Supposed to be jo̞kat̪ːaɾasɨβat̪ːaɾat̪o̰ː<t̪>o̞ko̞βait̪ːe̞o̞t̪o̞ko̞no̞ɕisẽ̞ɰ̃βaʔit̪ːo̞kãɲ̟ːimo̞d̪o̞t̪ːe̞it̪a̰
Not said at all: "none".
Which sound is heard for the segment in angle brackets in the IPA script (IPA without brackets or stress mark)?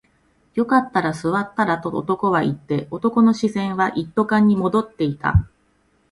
t̪